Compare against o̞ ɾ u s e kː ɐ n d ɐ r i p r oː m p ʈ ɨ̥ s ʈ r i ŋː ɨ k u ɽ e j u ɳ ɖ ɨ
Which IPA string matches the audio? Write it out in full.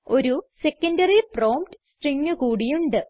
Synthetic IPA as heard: o̞ ɾ u s e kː ɐ n d ɐ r i p r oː m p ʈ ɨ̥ s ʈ r i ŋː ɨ k uː ɽ i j u ɳ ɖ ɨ